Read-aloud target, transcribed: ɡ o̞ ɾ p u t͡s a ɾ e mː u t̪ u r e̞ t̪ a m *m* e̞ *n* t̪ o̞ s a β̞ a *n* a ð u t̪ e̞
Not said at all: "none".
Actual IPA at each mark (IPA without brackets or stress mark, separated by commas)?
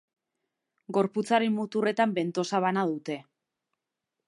b, n, n